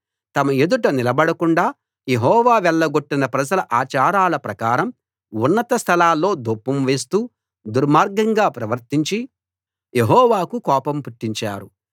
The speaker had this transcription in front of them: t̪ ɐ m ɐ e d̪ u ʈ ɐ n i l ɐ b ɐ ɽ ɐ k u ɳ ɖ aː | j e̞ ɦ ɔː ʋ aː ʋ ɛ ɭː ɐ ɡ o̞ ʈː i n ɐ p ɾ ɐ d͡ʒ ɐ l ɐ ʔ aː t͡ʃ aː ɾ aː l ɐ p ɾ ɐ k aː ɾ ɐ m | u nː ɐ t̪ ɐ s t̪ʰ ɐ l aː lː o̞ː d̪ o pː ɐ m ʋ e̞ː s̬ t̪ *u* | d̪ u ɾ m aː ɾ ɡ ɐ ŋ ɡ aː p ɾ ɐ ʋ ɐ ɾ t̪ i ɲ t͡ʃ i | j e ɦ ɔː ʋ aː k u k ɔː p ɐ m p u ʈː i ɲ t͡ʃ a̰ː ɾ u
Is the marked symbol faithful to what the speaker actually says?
no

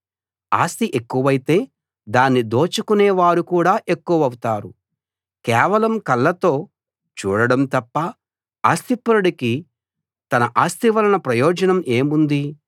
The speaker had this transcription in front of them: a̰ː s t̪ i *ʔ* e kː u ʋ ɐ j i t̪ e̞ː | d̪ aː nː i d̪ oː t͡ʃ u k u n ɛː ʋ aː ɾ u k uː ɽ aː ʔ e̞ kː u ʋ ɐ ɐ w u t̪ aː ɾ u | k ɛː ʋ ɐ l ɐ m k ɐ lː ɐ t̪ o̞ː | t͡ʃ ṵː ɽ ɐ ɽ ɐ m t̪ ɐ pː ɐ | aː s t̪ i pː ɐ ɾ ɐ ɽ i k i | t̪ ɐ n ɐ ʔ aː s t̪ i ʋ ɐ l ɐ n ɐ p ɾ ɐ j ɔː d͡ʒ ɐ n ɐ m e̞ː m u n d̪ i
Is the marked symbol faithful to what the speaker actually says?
yes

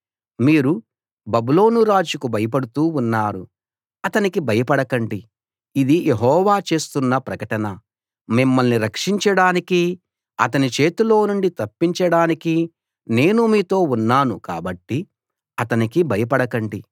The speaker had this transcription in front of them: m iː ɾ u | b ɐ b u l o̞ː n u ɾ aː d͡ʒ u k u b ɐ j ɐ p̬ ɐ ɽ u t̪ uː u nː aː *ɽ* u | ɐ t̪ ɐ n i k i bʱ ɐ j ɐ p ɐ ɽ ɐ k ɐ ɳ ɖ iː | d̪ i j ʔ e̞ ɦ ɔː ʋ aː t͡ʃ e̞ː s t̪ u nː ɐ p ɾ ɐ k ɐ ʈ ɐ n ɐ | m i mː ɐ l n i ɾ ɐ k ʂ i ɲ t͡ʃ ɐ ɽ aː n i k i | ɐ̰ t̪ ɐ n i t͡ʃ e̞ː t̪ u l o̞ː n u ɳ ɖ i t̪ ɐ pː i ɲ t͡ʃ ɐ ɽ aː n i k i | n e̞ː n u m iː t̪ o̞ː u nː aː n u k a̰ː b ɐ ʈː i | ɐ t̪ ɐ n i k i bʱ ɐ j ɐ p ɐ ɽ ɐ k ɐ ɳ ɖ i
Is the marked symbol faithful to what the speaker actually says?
no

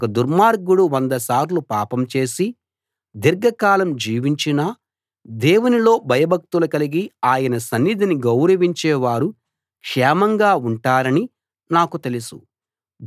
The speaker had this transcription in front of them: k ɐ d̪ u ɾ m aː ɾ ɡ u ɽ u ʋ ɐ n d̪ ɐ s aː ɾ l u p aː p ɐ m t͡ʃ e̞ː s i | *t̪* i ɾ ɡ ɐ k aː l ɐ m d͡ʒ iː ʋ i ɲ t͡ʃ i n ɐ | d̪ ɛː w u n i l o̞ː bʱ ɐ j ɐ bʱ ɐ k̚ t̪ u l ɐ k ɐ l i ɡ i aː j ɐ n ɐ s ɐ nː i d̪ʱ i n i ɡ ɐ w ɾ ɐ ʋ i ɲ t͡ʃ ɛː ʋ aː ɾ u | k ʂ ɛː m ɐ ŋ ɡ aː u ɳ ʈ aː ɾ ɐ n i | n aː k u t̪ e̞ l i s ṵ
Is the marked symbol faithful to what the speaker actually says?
no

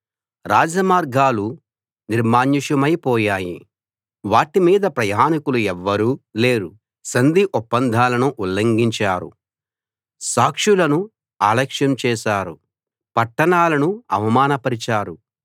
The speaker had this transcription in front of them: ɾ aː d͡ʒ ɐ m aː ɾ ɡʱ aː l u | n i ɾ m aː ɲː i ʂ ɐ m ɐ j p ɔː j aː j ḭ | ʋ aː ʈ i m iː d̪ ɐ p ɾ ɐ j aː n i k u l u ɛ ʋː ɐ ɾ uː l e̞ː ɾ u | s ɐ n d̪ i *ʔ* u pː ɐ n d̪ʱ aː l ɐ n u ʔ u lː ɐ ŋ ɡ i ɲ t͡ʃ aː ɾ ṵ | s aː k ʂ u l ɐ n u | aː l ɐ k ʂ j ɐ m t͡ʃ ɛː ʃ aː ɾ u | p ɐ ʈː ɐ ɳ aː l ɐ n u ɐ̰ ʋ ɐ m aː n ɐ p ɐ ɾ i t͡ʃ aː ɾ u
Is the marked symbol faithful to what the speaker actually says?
yes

